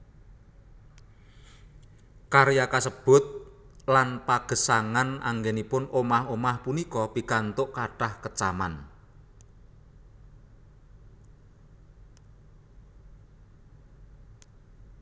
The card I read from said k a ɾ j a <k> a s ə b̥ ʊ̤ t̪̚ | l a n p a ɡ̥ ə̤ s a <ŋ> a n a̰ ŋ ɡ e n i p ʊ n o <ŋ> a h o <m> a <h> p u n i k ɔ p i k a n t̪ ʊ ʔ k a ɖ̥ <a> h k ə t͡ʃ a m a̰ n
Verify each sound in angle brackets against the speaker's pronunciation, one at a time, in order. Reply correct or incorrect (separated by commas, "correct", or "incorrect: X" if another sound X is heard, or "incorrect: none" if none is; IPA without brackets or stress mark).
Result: correct, correct, incorrect: m, correct, correct, correct